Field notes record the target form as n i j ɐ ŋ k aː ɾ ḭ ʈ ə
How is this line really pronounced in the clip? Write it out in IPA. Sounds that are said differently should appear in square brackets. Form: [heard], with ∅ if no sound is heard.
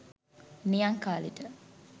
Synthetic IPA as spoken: n i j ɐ ŋ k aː [l] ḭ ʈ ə